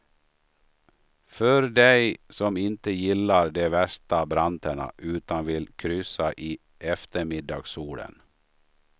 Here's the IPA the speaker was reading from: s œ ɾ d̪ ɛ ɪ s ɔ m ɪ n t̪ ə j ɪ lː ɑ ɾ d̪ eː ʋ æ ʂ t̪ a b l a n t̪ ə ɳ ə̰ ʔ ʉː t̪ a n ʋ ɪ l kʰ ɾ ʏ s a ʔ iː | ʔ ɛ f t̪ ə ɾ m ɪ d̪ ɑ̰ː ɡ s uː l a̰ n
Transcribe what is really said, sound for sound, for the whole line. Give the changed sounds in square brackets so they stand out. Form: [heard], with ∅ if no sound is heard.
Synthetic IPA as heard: [f] œ ɾ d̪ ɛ ɪ s ɔ m ɪ n t̪ ə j ɪ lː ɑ ɾ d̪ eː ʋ æ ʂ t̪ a b [ɾ] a n t̪ ə ɳ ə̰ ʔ ʉː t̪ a n ʋ ɪ l kʰ ɾ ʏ s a ʔ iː | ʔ ɛ f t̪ ə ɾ m ɪ d̪ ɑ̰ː ɡ s uː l [ə̰] n